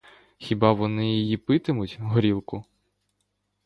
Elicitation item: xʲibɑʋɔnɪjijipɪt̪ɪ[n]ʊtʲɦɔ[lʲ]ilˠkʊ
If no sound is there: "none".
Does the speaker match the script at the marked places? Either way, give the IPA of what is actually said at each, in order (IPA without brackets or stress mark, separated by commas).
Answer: m, ɾʲ